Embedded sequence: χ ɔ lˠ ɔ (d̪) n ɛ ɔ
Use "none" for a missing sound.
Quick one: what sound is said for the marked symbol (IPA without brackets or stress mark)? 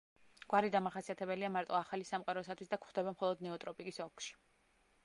d̪